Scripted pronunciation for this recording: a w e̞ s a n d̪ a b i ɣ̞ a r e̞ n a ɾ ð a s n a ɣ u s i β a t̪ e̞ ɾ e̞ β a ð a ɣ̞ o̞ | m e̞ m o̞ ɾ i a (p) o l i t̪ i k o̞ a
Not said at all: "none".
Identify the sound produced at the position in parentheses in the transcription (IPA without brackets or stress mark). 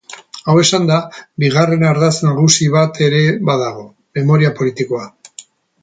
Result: p